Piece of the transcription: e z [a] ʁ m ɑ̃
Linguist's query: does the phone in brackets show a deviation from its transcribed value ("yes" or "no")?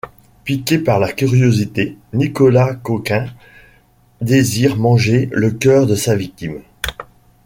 yes